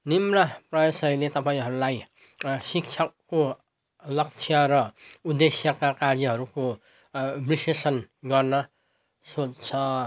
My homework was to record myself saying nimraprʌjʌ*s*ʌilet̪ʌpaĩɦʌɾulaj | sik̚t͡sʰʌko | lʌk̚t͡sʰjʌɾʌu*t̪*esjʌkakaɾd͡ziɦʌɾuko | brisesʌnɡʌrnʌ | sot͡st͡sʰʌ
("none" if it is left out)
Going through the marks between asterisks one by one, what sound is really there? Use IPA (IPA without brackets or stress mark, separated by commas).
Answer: s, d̪